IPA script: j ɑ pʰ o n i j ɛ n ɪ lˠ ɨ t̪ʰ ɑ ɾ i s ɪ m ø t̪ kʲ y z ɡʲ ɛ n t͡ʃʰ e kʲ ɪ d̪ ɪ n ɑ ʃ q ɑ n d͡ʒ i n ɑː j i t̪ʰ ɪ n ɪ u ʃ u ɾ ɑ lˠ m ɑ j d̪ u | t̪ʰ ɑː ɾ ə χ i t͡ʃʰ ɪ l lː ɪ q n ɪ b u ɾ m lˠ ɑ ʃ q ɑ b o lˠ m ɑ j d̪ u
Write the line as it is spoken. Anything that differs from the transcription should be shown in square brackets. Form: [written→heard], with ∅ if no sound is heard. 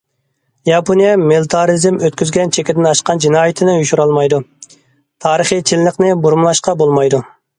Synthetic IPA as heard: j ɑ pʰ o n i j ɛ [n→m] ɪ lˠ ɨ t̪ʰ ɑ ɾ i [s→z] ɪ m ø t̪ kʲ y z ɡʲ ɛ n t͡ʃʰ e kʲ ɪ d̪ ɪ n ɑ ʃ q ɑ n d͡ʒ i n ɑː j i t̪ʰ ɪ n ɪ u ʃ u ɾ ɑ lˠ m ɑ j d̪ u | t̪ʰ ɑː ɾ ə χ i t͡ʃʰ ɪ l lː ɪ q n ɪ b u ɾ m lˠ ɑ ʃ q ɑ b o lˠ m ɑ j d̪ u